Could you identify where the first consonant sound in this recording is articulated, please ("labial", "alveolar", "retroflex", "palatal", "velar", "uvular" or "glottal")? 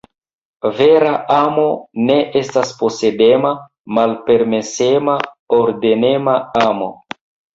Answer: labial